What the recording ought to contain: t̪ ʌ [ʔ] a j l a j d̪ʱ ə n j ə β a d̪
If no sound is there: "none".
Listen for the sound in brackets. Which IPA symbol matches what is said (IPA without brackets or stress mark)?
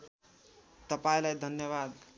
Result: p